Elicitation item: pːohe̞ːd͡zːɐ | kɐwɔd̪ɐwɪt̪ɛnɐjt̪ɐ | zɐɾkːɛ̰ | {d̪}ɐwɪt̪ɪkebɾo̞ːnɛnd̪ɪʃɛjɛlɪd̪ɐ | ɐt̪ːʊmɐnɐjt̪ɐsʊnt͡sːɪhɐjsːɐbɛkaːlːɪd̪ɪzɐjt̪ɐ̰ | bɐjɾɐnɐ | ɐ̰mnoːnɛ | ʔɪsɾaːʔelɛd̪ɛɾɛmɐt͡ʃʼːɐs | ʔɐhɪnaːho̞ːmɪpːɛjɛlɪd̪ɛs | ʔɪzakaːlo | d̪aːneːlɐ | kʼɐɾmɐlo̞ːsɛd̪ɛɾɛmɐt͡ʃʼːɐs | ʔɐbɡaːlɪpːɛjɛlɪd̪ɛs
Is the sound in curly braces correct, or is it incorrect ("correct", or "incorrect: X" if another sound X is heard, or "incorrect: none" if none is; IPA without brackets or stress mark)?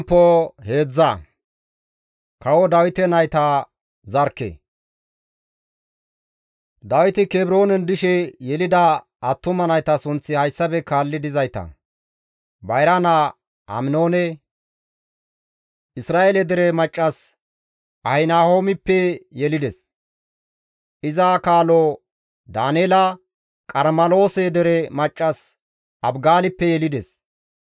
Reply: correct